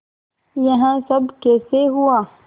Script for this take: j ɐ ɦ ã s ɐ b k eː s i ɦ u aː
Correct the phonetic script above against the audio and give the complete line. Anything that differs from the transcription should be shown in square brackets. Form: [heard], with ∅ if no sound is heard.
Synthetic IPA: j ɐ ɦ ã s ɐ b k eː s [e] ɦ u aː